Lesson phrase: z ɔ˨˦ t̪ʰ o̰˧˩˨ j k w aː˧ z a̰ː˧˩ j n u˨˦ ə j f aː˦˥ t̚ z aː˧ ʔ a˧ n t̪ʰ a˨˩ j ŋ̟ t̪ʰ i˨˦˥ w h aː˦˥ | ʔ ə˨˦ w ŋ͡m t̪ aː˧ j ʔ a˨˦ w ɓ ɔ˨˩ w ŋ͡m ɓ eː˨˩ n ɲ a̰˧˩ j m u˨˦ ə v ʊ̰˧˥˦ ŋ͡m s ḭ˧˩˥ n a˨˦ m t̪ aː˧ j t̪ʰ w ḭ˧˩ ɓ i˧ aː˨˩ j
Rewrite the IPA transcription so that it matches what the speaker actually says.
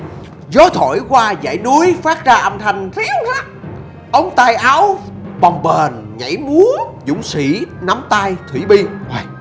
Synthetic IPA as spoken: z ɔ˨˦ t̪ʰ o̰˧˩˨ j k w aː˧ z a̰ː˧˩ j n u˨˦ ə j f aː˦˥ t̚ z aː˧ ʔ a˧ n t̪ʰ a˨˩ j ŋ̟ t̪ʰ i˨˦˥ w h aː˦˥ | ʔ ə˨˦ w ŋ͡m t̪ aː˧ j ʔ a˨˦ w ɓ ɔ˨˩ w ŋ͡m ɓ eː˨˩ n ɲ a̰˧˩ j m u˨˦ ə z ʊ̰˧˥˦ ŋ͡m s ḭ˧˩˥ n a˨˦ m t̪ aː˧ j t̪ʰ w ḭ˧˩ ɓ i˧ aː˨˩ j